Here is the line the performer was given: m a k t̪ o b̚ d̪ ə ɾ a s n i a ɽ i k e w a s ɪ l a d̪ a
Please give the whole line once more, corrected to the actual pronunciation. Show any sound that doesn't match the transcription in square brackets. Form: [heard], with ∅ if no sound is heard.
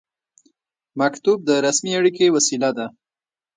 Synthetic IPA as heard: m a k t̪ [u] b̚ d̪ ə ɾ a s [m] i a ɽ i k e w a s [i] l a d̪ a